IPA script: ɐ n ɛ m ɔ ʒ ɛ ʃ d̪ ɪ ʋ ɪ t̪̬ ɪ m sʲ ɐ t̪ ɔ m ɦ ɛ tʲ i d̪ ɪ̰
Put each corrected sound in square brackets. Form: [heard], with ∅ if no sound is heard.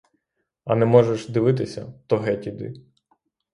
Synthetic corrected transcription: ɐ n ɛ m ɔ ʒ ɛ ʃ d̪ ɪ ʋ ɪ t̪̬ ɪ [∅] sʲ ɐ t̪ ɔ [∅] ɦ ɛ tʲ i d̪ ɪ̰